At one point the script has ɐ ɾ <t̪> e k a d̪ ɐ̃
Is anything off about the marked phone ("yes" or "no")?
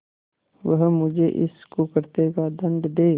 no